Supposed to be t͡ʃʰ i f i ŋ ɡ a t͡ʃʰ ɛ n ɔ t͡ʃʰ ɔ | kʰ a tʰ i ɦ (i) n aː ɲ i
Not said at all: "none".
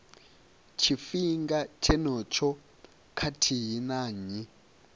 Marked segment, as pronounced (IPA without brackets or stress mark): i